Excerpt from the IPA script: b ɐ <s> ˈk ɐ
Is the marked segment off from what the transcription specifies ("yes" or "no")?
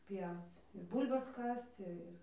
no